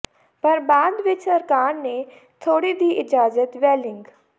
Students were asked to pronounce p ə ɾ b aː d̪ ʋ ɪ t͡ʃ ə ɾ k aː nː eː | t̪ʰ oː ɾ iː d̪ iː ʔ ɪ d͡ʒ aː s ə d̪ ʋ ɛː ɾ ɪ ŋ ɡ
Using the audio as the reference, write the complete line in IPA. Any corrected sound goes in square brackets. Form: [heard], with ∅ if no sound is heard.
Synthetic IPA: p ə ɾ b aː d̪ ʋ ɪ t͡ʃ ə ɾ k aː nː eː | t̪ʰ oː [ɽ] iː d̪ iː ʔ ɪ d͡ʒ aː [z] ə [t̪] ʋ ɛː [l] ɪ ŋ ɡ